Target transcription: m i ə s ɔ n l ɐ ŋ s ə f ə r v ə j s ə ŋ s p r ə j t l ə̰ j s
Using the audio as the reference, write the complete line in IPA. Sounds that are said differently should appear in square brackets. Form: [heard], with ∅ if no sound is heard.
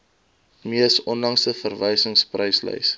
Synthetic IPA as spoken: m i ə s ɔ n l ɐ ŋ s ə f ə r v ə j s ə ŋ s p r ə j [s] l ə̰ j s